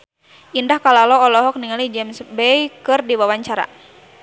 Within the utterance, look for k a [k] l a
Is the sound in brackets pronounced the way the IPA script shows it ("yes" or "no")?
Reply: no